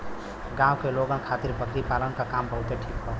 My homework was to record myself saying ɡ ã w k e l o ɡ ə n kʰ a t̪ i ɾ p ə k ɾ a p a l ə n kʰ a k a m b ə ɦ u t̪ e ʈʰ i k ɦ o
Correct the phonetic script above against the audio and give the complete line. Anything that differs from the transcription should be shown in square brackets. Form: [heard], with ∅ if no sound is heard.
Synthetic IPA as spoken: ɡ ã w k e l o ɡ ə n kʰ a t̪ i ɾ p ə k ɾ [i] p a l ə n [k] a k a m b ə ɦ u t̪ e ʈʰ i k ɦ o